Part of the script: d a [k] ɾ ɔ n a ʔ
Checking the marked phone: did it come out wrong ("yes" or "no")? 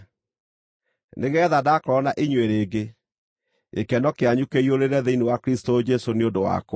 no